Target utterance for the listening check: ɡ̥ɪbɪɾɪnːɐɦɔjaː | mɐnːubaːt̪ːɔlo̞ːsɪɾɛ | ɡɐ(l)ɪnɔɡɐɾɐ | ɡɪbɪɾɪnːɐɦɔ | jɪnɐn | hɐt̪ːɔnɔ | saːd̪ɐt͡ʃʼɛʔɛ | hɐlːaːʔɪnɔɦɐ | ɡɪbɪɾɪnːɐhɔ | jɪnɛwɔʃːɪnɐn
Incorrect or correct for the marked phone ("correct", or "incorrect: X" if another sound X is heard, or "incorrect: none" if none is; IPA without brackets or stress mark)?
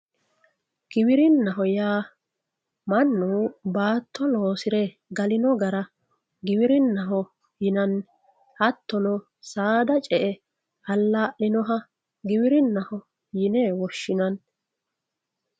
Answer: correct